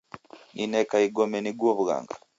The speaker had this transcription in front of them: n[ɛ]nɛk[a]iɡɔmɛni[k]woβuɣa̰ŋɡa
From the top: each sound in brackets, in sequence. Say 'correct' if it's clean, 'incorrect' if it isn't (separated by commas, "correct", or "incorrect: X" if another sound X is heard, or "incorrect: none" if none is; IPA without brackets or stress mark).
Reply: incorrect: i, correct, incorrect: ɡ